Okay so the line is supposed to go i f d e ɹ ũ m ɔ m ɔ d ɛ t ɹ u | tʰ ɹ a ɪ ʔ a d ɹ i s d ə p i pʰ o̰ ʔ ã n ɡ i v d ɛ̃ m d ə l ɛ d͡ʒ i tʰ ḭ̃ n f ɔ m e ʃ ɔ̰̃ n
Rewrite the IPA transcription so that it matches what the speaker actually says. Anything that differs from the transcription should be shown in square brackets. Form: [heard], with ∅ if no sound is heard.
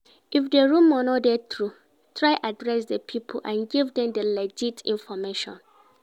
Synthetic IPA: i f d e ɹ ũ m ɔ [n] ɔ d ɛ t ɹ u | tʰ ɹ a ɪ ʔ a d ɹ [ɛ] s d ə [pʰ] i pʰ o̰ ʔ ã n ɡ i v d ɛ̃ m d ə l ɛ d͡ʒ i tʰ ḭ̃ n f ɔ m e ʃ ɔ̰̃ n